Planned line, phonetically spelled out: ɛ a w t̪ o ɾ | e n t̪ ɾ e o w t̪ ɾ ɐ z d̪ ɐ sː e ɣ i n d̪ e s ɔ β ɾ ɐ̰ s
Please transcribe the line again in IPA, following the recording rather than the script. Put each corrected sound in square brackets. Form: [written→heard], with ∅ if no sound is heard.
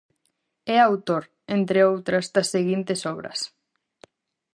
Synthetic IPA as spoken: ɛ a w t̪ o ɾ | e n t̪ ɾ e o w t̪ ɾ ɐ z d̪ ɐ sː e ɣ i n [d̪→t̪] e s ɔ β ɾ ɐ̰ s